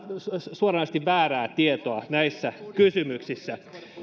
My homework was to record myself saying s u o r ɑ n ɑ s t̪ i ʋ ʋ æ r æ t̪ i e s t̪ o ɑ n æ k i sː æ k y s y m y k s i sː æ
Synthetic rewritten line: s u o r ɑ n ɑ s t̪ i ʋ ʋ æː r æː t̪ i e t̪ o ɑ n æ i sː æ k y s y m y k s i sː æ